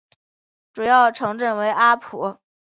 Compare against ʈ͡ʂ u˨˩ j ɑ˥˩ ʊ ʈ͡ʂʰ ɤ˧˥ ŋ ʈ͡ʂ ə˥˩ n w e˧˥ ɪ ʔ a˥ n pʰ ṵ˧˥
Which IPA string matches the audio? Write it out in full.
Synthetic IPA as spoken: ʈ͡ʂ u˨˩ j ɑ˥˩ ʊ ʈ͡ʂʰ ɤ˧˥ ŋ ʈ͡ʂ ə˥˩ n w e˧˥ ɪ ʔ a˥ pʰ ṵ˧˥